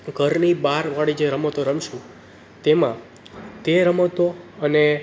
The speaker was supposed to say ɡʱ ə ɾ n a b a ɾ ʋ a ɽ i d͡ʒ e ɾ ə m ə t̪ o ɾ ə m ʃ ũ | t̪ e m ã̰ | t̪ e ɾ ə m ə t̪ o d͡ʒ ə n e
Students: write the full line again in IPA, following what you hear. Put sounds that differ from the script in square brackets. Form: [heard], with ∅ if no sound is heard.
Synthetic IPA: ɡʱ ə ɾ n [i] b a ɾ ʋ a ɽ i d͡ʒ e ɾ ə m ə t̪ o ɾ ə m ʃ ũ | t̪ e m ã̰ | t̪ e ɾ ə m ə t̪ o [∅] ə n e

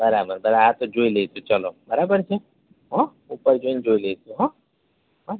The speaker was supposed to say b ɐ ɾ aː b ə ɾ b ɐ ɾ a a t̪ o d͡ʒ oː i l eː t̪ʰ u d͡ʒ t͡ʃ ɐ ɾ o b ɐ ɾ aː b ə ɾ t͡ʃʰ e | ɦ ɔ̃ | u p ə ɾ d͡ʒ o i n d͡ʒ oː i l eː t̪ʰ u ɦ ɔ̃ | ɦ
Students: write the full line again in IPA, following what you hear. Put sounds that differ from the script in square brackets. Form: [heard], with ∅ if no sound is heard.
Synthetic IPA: b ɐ ɾ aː b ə ɾ b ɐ ɾ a a t̪ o d͡ʒ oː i l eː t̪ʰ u [∅] t͡ʃ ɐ [l] o b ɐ ɾ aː b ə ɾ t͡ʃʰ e | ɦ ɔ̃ | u p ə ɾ d͡ʒ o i n d͡ʒ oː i l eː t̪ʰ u ɦ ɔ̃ | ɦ

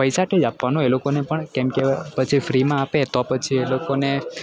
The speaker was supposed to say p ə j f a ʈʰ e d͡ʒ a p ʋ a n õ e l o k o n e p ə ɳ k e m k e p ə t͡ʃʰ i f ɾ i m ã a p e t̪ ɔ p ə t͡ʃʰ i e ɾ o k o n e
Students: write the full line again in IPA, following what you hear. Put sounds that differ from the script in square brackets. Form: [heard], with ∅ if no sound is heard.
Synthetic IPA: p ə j [s] a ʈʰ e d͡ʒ a p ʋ a n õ e l o k o n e p ə ɳ k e m k e p ə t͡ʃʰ i f ɾ i m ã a p e t̪ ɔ p ə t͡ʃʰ i e [l] o k o n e

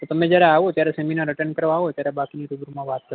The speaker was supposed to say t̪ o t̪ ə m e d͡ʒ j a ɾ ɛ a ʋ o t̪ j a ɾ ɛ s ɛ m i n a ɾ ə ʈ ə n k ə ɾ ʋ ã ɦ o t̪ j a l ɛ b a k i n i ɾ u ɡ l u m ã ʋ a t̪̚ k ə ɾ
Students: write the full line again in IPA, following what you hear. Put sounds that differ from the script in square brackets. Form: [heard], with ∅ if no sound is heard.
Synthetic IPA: t̪ o t̪ ə m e d͡ʒ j a ɾ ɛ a ʋ o t̪ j a ɾ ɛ s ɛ m i n a ɾ ə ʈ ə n k ə ɾ ʋ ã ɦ o t̪ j a [ɾ] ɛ b a k i n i ɾ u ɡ [ɾ] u m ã ʋ a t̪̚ k ə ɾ

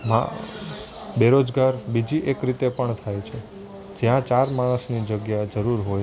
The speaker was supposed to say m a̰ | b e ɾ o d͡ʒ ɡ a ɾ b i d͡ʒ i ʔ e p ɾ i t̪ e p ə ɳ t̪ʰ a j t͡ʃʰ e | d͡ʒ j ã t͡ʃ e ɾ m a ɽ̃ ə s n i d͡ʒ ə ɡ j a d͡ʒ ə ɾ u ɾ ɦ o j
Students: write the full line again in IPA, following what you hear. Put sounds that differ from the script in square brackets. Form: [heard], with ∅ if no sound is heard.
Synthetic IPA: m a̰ | b e ɾ o d͡ʒ ɡ a ɾ b i d͡ʒ i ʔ e [k] ɾ i t̪ e p ə ɳ t̪ʰ a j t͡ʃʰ e | d͡ʒ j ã t͡ʃ [a] ɾ m a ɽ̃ ə s n i d͡ʒ ə ɡ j a d͡ʒ ə ɾ u ɾ ɦ o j

